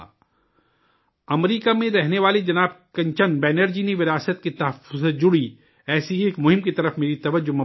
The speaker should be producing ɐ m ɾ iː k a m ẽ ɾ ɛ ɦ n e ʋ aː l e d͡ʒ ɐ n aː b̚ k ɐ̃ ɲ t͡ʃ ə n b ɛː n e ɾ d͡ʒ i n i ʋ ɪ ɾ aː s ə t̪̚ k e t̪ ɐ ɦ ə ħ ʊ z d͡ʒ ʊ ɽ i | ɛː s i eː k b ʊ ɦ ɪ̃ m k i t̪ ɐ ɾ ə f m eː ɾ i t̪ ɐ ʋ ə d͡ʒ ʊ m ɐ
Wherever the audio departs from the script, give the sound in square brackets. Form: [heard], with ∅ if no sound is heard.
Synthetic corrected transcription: ɐ m ɾ iː k a m ẽ ɾ ɛ ɦ n e ʋ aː l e d͡ʒ ɐ n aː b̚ k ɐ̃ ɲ t͡ʃ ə n b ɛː n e ɾ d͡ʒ i n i ʋ ɪ ɾ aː s ə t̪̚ k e t̪ ɐ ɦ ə [f] ʊ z d͡ʒ ʊ ɽ i | ɛː s i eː k [m] ʊ ɦ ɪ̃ m k i t̪ ɐ ɾ ə f m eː ɾ i t̪ ɐ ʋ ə d͡ʒ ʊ m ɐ